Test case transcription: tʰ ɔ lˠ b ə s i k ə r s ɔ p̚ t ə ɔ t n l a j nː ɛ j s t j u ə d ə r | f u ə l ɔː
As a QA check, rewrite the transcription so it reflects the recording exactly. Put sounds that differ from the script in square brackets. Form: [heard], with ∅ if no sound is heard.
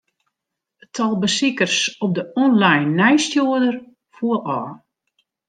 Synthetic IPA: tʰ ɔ lˠ b ə s i k ə r s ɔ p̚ [d] ə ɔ [∅] n l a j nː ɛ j s t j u ə d ə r | f u ə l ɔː